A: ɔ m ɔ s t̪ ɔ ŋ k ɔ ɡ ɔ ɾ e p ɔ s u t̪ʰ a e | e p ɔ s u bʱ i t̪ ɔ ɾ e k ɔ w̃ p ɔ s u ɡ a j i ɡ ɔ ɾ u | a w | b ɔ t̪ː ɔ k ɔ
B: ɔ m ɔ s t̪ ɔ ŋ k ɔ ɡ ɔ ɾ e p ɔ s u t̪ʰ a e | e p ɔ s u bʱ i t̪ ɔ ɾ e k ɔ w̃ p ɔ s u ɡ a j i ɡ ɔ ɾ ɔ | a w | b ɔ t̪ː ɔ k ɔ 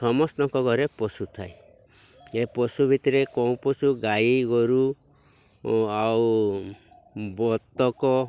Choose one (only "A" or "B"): A